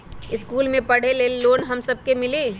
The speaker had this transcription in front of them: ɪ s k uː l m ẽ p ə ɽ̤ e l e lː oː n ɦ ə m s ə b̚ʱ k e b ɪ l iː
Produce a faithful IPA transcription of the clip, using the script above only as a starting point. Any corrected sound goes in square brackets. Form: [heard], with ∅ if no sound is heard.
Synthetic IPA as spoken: ɪ s k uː l m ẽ p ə ɽ̤ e l e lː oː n ɦ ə m s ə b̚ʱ k e [m] ɪ l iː